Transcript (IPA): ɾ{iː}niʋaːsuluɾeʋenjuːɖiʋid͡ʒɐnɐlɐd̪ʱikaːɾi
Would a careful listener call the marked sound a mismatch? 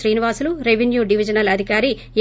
no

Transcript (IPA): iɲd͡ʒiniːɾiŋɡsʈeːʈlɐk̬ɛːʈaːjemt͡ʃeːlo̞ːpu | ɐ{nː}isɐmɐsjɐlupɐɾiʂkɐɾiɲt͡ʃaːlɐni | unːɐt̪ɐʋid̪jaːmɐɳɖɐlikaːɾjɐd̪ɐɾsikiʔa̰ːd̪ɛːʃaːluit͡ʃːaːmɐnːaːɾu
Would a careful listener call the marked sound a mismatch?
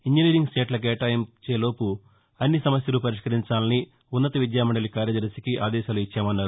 no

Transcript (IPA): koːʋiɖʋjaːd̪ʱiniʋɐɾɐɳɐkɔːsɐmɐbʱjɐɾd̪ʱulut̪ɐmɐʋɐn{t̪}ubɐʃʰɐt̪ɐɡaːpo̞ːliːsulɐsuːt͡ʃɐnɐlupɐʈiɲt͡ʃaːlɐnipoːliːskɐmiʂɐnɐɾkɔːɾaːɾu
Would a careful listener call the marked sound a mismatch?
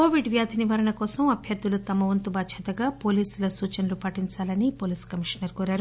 no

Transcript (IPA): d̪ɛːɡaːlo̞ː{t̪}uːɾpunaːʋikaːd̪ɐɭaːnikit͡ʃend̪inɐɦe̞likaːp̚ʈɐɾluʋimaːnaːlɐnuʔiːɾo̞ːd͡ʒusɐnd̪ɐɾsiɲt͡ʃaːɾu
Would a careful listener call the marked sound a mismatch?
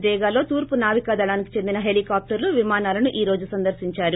no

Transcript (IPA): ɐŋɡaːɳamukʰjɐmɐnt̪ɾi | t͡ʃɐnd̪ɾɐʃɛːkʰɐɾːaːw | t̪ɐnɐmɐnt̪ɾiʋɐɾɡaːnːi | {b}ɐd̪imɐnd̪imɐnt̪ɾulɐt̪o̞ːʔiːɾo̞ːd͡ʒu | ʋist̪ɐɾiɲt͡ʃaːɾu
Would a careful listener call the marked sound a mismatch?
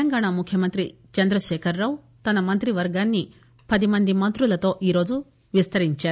yes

